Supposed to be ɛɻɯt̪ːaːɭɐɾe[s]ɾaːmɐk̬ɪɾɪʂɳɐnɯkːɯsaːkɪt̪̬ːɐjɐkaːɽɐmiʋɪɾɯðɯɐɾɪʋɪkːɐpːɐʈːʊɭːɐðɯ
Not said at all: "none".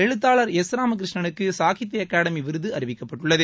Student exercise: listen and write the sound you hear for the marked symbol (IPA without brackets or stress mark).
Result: s